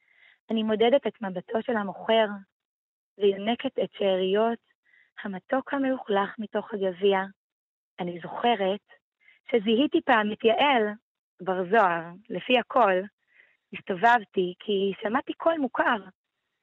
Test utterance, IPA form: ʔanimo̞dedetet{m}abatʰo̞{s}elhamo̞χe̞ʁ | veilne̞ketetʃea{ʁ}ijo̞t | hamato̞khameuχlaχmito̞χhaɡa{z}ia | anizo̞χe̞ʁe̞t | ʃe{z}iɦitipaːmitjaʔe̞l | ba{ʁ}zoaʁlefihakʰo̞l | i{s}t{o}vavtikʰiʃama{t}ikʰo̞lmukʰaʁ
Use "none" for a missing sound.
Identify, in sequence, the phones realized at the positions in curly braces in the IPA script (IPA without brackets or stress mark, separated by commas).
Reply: m, ʃ, ʁ, v, z, ʁ, s, o, t